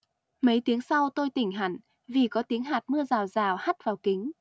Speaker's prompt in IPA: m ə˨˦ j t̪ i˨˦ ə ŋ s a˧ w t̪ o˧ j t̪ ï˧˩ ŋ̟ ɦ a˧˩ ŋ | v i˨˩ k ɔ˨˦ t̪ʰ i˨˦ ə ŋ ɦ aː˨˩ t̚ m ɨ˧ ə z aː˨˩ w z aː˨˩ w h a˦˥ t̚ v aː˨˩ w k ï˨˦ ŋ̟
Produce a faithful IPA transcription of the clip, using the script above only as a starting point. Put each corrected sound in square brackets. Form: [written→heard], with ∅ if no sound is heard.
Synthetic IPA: m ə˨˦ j t̪ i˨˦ ə ŋ s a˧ w t̪ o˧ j t̪ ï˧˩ ŋ̟ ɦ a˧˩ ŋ | v i˨˩ k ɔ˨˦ [t̪ʰ→t̪] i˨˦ ə ŋ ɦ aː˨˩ t̚ m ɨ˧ ə z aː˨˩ w z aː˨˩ w h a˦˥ t̚ v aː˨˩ w k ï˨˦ ŋ̟